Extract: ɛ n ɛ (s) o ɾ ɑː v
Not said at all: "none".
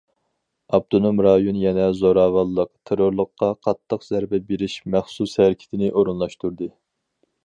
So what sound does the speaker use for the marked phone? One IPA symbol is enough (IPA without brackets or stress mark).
z